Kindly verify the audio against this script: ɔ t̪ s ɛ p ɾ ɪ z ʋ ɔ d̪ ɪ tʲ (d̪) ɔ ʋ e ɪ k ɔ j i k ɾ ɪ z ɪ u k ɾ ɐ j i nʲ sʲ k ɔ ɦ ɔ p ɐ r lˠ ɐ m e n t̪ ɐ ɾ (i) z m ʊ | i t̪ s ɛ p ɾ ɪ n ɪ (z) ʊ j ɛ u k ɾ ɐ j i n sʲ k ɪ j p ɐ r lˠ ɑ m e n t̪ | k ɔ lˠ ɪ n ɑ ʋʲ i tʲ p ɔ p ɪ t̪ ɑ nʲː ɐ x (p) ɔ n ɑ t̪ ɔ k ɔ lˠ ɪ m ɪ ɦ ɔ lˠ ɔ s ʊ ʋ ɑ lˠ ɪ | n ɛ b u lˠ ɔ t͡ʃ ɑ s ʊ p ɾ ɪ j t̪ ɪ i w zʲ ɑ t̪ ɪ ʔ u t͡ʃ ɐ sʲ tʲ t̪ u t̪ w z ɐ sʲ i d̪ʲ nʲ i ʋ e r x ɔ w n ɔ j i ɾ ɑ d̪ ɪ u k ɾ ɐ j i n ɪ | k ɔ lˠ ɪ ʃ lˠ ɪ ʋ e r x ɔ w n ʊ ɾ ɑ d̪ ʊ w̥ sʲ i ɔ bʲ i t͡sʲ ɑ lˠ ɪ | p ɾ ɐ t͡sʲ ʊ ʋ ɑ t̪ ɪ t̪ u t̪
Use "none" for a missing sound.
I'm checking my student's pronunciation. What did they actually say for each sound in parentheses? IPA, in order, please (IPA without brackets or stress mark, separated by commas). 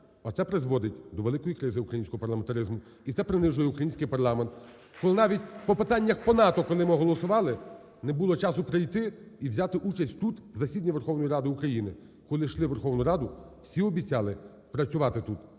d̪, ɪ, ʒ, p